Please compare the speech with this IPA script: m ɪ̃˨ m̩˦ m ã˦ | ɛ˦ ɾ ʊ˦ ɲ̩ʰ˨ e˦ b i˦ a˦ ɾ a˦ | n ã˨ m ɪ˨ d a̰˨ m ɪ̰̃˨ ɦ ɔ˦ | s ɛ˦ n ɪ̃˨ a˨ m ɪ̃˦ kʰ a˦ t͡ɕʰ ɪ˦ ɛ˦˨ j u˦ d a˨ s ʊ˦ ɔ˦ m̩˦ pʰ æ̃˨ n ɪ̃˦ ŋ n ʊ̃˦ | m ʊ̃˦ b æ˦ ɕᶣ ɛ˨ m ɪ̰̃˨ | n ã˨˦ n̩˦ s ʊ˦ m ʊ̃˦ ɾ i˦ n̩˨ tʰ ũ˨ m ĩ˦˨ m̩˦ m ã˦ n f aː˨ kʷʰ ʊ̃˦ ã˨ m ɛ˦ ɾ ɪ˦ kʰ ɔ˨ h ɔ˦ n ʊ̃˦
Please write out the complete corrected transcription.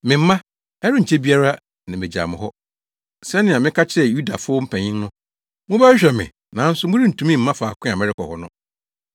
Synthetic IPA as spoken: m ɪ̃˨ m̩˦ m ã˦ | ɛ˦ ɾ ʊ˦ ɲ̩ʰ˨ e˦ b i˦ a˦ ɾ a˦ | n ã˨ m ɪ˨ d͡ʑ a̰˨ m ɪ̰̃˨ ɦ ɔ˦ | s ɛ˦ n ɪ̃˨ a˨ m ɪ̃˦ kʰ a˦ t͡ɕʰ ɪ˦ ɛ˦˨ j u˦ d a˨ f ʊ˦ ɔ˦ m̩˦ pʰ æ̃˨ ɲ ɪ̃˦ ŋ n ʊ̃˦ | m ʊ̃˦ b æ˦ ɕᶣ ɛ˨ m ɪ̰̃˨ | n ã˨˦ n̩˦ s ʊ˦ m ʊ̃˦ ɾ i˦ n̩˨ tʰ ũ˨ m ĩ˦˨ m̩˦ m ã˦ f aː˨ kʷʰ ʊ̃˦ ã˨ m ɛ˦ ɾ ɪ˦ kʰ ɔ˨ h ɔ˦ n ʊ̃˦